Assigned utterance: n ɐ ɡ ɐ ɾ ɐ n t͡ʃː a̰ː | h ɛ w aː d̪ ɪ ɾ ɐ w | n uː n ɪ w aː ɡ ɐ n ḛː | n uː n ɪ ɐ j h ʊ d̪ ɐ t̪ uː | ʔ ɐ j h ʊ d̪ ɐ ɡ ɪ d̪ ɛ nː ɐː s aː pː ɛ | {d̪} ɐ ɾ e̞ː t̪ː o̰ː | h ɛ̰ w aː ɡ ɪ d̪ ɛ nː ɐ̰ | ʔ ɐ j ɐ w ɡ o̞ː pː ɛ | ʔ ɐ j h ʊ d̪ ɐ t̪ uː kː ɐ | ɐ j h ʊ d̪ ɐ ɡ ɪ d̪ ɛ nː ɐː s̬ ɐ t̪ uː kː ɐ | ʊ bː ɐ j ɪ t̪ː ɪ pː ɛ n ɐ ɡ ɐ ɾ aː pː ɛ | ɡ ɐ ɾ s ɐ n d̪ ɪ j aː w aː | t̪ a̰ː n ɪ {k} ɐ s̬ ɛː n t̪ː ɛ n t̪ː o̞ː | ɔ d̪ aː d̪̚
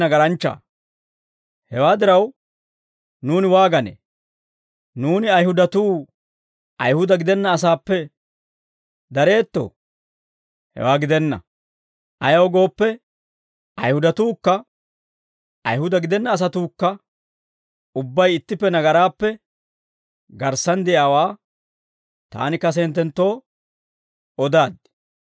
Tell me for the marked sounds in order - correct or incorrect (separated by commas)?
correct, correct